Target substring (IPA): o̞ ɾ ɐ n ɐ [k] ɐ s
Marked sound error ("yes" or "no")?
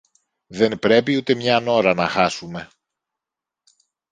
yes